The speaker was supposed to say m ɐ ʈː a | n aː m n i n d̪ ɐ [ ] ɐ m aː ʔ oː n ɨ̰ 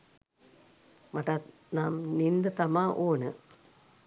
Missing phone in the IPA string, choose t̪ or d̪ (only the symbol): t̪